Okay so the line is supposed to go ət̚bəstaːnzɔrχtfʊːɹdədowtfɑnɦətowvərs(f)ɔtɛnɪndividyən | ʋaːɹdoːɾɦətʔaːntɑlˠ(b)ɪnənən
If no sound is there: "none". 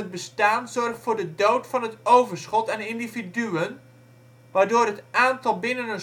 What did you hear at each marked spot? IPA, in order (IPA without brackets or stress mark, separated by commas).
χ, b